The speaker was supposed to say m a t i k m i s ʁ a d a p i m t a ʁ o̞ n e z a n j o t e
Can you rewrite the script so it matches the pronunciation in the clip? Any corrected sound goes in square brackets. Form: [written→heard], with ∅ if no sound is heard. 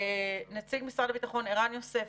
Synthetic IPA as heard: [m→n] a [t→t͡s] i [k→ɡ] m i s ʁ a d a [p→b] i [m→∅] t a [ʁ→χ] o̞ n e [z→ʁ] a n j o [t→s] e

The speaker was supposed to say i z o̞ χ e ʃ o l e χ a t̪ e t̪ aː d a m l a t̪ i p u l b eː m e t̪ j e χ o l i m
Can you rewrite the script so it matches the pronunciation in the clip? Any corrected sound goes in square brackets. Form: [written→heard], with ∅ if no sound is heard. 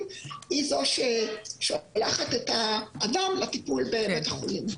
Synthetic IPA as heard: i z o̞ [χ→ʃ] e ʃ o l [e→a] χ a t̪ e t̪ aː d a m l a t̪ i p u l b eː m e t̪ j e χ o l i m

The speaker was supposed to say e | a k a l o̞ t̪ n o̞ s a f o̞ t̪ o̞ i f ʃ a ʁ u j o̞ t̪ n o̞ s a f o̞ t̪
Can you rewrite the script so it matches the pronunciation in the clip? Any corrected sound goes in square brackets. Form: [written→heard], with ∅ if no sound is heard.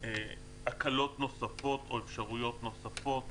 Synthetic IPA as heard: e | a k a l o̞ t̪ n o̞ s a f o̞ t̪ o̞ [i→e] f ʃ a ʁ u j o̞ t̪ n o̞ s a f o̞ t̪

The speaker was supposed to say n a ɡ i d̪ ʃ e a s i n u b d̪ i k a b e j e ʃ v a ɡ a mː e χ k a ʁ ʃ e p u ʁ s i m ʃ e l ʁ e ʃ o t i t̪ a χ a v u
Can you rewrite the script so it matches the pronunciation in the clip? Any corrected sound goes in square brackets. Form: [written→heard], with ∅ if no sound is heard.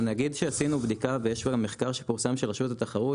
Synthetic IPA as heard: n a ɡ i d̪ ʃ e a s i n u b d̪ i k a [b→v] e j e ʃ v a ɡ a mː e χ k a ʁ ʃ e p u ʁ s [i→a] m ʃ e l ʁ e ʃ [o→u] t [i→a] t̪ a χ a [v→ʁ] u

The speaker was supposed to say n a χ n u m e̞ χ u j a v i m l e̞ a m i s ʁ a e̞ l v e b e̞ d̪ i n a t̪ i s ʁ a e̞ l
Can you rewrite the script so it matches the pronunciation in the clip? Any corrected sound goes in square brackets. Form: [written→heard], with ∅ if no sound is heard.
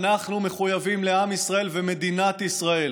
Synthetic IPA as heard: n a χ n u m e̞ χ u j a v i m l e̞ a m i s ʁ a e̞ l v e [b→m] e̞ d̪ i n a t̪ i s ʁ a e̞ l

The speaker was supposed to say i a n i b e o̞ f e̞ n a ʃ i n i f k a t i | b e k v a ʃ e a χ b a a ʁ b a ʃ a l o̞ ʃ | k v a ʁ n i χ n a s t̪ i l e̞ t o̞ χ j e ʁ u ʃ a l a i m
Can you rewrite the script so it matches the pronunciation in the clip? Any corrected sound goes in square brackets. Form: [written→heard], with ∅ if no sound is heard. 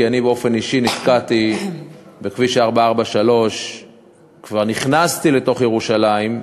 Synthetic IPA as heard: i a n i b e o̞ f e̞ n [a→i] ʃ i n i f k a t i | b e k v [a→i] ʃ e a [χ→ʁ] b a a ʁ b a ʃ a l o̞ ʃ | k v a ʁ n i χ n a s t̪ i l e̞ t o̞ χ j e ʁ u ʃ a l a i m

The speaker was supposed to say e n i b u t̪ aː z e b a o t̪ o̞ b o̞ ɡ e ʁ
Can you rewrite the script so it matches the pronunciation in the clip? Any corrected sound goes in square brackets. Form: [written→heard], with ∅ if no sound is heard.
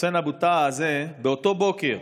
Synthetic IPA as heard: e n [i→a] b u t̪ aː z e b [a→e] o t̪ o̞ b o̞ [ɡ→k] e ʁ

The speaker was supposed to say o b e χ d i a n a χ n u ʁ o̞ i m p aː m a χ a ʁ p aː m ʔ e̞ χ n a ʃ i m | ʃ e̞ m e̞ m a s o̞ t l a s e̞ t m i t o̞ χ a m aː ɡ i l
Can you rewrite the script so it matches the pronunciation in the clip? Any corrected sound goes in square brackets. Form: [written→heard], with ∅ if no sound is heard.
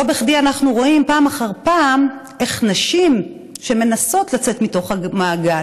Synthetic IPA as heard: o b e χ d i a n a χ n u ʁ o̞ i m p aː m a χ a ʁ p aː m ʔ e̞ χ n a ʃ i m | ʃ e̞ m e̞ [m→n] a s o̞ t l a [s→t͡s] e̞ t m i t o̞ χ a m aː ɡ [i→a] l

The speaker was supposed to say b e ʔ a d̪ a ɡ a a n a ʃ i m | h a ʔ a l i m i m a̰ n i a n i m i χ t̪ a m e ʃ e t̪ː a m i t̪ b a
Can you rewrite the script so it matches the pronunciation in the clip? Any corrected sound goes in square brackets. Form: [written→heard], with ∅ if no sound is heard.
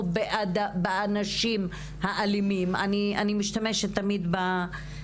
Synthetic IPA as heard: b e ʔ a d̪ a [ɡ→b] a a n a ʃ i m | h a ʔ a l i m i m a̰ n i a n i m i [χ→ʃ] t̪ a m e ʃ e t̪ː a m i [t̪→d̪] b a

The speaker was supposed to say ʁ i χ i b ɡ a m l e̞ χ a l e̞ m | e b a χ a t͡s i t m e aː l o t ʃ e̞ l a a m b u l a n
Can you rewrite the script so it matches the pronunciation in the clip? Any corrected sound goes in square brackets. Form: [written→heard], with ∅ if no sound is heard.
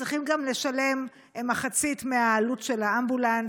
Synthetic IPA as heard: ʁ i χ i [b→m] ɡ a m l e̞ [χ→ʃ] a l e̞ m | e [b→m] a χ a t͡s i t m e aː l [o→u] t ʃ e̞ l a a m b u l a n

